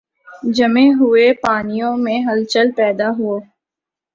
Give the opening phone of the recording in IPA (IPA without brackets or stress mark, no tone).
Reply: d͡ʒ